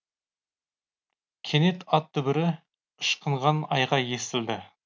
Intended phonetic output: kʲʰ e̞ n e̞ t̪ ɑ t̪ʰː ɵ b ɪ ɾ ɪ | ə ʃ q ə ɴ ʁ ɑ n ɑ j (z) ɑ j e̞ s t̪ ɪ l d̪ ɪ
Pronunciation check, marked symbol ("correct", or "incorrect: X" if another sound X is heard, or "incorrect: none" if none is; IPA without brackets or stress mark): incorrect: ʁ